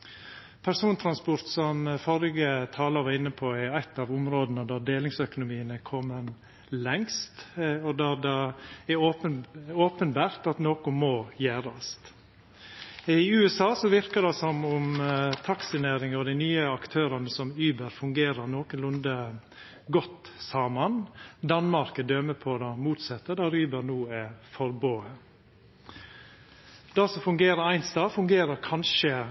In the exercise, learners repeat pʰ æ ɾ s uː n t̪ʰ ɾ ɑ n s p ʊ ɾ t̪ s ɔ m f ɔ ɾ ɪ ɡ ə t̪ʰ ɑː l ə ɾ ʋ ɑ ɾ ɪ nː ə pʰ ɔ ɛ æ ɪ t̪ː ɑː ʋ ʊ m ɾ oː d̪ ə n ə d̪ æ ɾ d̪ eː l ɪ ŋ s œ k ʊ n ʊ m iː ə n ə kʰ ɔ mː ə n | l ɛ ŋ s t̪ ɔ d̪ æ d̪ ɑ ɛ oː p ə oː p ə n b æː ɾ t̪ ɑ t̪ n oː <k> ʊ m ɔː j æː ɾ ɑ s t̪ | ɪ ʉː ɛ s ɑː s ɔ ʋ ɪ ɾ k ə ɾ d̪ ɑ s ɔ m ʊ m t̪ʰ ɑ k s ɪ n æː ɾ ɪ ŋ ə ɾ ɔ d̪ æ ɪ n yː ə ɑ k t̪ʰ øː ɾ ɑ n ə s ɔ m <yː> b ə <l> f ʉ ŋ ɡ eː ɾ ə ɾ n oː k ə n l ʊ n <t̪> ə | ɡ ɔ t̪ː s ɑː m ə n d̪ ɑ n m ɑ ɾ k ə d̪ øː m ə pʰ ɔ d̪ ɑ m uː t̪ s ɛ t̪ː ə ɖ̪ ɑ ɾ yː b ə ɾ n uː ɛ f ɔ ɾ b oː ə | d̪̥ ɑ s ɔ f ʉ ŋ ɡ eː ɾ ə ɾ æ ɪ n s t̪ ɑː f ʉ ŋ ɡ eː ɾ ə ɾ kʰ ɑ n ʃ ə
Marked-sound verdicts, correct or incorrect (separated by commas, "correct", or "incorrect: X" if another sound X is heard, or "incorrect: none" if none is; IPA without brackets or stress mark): correct, correct, incorrect: ɾ, incorrect: d̪